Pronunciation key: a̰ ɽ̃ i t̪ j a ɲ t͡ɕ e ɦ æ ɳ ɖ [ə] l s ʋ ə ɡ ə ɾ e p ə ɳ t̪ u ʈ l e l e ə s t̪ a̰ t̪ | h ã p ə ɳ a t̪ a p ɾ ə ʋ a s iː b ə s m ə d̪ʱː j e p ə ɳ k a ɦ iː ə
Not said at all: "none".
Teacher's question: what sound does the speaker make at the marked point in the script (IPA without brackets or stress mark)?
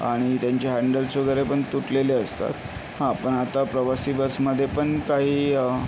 ə